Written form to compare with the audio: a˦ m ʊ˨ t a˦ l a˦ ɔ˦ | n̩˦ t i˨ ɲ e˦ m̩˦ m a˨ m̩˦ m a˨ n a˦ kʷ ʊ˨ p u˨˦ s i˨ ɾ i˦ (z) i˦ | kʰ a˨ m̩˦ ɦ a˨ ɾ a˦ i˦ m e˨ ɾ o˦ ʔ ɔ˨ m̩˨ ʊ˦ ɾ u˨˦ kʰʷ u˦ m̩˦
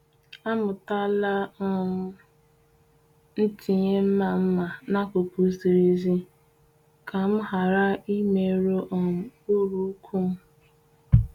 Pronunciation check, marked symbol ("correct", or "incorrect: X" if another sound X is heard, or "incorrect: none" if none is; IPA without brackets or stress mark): correct